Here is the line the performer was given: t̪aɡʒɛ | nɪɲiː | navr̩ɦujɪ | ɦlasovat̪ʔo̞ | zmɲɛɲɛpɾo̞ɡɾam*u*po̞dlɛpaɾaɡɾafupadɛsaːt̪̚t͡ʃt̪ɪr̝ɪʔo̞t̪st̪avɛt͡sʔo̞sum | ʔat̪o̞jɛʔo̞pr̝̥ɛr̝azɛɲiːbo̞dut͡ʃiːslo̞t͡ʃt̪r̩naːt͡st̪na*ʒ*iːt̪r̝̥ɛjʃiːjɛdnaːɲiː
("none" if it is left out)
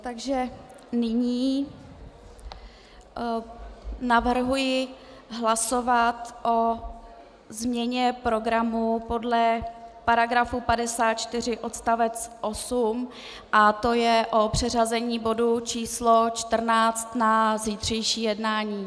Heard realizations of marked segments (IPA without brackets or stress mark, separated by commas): u, z